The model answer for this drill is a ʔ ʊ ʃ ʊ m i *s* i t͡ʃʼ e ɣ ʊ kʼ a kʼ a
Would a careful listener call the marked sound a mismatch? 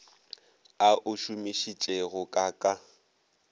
yes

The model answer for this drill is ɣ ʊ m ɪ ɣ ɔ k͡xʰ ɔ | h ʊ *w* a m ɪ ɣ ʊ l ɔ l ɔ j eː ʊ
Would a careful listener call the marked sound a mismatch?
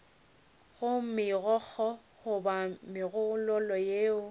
yes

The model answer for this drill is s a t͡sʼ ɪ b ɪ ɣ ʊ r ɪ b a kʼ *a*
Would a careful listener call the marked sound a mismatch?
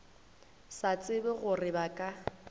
no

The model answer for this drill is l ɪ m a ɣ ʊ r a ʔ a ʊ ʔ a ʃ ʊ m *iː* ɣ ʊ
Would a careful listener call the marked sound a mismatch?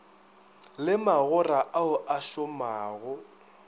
yes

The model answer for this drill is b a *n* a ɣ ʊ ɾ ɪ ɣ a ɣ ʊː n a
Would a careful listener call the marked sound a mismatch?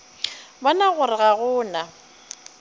no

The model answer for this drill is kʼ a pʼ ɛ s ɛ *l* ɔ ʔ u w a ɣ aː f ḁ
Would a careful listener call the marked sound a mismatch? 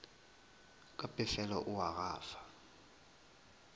no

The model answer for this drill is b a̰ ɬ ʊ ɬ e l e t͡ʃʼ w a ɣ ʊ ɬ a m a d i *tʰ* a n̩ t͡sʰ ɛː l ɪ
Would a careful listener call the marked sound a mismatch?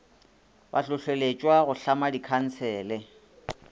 yes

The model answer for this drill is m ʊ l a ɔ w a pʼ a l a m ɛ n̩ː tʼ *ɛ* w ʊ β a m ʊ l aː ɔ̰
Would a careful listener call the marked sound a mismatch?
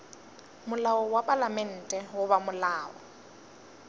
no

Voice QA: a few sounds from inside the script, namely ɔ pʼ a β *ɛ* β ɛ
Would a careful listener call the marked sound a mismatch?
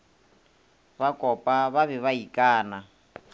yes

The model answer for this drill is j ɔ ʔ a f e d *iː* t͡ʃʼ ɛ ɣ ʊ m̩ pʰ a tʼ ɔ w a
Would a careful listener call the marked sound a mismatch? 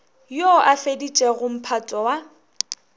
yes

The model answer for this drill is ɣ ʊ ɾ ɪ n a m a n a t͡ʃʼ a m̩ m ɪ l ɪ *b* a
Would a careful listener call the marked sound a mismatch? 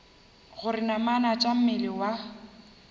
yes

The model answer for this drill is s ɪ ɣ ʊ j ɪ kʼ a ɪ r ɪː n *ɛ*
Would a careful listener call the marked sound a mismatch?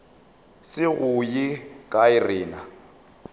yes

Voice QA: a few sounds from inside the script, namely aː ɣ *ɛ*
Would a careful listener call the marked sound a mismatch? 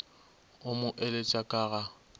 yes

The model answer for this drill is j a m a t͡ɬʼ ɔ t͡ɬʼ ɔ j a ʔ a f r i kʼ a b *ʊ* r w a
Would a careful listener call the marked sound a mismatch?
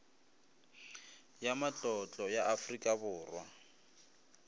yes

